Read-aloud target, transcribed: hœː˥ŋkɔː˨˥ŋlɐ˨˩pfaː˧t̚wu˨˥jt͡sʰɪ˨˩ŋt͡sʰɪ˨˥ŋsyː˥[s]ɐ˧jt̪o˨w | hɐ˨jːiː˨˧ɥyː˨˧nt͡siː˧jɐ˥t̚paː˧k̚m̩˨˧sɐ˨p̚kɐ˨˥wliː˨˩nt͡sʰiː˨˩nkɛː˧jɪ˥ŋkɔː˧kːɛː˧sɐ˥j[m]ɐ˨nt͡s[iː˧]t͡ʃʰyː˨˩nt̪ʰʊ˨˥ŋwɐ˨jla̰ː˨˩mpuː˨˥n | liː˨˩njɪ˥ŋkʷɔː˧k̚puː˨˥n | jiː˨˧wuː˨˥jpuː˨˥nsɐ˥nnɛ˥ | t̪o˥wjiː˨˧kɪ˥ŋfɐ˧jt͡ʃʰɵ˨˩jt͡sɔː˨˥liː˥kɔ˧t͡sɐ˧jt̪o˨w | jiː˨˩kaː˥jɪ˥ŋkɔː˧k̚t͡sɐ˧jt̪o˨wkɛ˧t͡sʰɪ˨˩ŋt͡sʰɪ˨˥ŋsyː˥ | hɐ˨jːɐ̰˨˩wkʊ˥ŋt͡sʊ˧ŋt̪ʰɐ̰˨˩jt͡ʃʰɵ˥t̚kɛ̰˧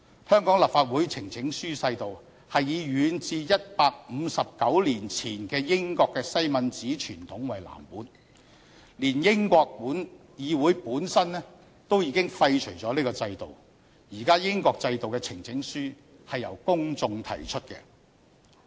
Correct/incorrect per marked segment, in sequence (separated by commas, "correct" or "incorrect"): correct, correct, incorrect